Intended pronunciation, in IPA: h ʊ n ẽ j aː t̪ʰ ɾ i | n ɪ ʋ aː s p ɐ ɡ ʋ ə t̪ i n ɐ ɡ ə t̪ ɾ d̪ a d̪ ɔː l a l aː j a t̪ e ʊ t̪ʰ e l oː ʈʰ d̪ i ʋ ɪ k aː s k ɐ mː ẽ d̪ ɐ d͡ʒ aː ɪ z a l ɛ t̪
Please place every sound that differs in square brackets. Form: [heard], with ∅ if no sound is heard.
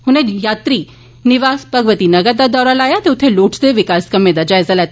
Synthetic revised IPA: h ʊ n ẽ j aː [t̪] ɾ i | n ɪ ʋ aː s p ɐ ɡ ʋ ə t̪ i n ɐ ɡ ə [∅] ɾ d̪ a d̪ ɔː [ɾ] a l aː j a t̪ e ʊ t̪ʰ e l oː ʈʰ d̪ [e] ʋ ɪ k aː s k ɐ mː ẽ d̪ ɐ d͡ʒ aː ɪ z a l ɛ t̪